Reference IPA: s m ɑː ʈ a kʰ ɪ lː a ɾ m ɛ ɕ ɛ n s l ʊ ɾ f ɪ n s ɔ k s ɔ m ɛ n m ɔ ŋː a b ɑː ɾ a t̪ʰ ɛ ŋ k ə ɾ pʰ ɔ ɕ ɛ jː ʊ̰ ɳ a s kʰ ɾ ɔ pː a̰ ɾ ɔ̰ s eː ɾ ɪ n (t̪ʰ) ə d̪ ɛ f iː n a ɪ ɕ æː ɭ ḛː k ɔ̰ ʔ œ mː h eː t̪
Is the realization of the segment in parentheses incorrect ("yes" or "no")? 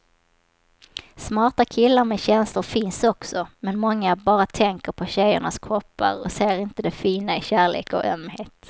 yes